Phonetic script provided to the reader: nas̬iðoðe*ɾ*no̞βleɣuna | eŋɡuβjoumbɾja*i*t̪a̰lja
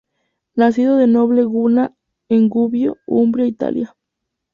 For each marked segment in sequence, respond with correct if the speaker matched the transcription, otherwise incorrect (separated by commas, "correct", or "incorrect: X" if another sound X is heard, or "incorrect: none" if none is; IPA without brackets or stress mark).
incorrect: none, correct